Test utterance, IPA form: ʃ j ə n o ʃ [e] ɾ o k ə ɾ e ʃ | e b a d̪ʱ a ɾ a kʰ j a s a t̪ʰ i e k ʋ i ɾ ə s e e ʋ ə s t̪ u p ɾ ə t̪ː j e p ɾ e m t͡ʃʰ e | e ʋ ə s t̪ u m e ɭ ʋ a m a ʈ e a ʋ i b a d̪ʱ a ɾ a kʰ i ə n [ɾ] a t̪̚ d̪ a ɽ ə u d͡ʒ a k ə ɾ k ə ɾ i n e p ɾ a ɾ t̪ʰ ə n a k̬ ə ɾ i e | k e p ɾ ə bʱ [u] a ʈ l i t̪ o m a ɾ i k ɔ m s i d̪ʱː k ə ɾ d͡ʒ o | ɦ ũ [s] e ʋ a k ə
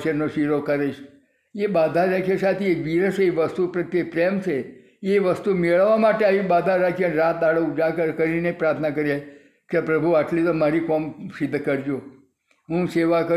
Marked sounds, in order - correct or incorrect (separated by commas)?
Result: incorrect, correct, correct, correct